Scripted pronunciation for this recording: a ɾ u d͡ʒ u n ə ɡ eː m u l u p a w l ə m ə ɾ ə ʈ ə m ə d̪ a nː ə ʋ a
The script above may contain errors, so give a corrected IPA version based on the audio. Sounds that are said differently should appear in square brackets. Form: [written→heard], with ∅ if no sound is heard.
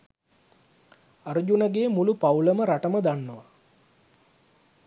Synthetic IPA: a ɾ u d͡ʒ u n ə ɡ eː m u l u p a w l ə m ə ɾ [ə→a] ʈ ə m ə d̪ a nː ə ʋ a